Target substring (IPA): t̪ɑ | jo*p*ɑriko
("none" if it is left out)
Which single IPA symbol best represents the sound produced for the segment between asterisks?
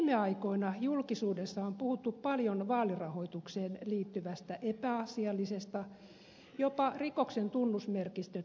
p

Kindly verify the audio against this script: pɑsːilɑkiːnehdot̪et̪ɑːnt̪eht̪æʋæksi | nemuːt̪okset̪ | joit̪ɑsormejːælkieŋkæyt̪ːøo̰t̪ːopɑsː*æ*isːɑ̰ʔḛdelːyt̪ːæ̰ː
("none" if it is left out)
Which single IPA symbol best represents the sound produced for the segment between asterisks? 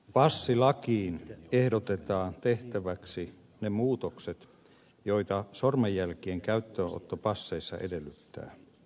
e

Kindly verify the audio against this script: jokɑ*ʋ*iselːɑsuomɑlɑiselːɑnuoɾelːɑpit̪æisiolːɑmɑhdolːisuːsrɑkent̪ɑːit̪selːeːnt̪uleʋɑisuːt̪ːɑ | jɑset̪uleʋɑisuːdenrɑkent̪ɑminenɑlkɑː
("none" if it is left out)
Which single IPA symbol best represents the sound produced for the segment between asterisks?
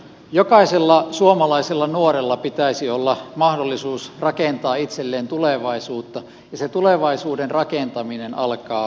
none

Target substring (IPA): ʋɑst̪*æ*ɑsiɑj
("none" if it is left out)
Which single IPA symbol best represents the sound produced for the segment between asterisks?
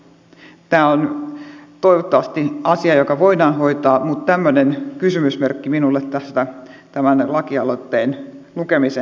i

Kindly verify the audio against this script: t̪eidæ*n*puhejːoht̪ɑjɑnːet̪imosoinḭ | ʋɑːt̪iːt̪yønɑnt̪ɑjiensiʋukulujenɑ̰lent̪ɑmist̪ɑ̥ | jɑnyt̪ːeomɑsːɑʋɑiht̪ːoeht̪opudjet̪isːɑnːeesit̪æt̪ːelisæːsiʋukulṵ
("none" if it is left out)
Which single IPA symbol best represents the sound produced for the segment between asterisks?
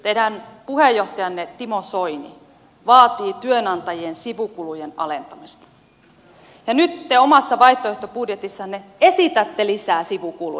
n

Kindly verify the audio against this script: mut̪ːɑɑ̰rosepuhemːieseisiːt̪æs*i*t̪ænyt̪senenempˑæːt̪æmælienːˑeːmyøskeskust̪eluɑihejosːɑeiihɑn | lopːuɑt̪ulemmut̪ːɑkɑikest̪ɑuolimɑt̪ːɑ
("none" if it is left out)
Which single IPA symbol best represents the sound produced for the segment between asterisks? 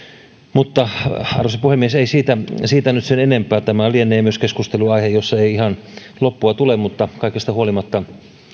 iː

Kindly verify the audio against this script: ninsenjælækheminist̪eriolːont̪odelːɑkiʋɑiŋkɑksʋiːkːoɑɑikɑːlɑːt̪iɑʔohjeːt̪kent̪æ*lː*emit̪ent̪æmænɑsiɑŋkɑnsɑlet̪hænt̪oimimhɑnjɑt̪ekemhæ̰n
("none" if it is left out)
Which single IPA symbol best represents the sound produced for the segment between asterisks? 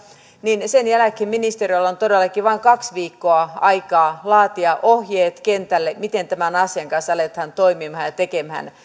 lː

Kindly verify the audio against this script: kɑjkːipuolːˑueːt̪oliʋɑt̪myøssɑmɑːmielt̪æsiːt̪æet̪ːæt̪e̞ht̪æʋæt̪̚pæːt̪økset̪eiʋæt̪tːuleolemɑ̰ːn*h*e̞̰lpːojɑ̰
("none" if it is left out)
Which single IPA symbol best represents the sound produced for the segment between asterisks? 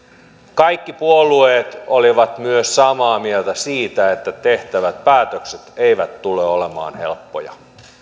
h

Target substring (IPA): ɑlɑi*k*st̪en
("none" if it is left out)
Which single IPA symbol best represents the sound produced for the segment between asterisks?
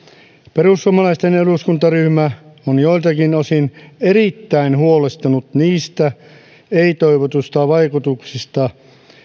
none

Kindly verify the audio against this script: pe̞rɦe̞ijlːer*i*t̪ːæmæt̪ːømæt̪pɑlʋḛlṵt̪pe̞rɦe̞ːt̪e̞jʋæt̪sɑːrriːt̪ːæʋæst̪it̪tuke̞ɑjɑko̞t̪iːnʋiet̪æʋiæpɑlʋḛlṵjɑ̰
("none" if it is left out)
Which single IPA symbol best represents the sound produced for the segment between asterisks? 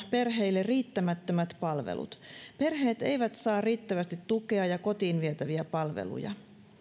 iː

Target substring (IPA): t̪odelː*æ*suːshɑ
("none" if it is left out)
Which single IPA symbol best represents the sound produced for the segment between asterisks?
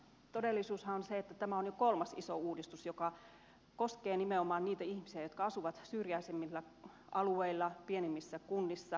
i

